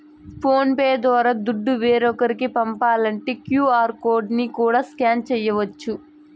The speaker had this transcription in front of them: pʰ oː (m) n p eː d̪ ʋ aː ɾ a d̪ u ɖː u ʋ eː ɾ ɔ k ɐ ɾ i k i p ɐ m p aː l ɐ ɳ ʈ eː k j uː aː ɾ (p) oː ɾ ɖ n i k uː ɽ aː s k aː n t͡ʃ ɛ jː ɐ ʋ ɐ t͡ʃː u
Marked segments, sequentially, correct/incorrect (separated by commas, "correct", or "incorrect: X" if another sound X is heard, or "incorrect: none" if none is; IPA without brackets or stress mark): incorrect: none, incorrect: k